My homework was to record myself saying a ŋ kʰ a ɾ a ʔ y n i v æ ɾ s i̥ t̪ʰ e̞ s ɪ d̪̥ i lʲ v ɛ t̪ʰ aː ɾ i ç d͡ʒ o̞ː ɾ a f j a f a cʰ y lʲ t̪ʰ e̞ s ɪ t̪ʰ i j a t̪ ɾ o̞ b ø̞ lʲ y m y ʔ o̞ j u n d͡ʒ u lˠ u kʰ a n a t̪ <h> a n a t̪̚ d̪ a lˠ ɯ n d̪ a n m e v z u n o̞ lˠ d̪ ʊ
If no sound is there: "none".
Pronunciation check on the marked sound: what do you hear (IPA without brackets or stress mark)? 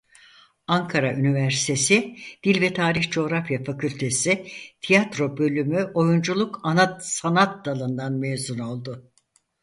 s